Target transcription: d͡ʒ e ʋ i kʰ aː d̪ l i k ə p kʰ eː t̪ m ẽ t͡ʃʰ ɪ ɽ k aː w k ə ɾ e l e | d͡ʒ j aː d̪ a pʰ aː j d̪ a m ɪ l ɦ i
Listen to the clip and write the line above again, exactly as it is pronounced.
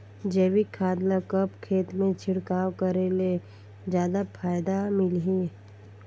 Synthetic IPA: d͡ʒ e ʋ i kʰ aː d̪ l a k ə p kʰ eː t̪ m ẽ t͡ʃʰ ɪ ɽ k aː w k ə ɾ e l e | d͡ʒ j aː d̪ a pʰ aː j d̪ a m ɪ l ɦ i